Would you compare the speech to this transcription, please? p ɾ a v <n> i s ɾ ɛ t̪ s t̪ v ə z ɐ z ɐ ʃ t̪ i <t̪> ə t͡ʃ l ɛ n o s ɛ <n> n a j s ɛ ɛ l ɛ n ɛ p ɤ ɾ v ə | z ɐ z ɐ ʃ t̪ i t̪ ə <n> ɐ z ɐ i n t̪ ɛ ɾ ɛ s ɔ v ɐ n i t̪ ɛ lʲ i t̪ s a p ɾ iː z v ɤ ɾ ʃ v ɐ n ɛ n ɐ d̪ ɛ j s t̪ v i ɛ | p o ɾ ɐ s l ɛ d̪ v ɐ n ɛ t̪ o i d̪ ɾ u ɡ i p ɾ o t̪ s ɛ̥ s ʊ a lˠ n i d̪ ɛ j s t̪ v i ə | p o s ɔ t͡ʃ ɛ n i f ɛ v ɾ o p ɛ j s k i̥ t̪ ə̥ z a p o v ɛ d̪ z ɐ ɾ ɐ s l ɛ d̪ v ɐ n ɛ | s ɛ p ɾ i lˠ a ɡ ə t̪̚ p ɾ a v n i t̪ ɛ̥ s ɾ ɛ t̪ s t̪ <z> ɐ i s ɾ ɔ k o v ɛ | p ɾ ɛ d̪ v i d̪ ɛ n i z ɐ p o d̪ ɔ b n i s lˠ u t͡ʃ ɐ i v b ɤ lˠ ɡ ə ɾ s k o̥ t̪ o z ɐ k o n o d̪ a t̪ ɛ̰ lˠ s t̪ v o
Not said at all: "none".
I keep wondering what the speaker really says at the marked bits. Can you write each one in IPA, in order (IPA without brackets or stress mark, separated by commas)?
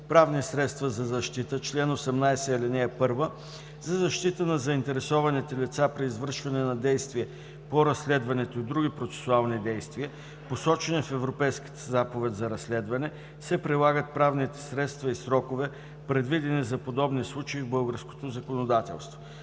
n, t̪, m, n, v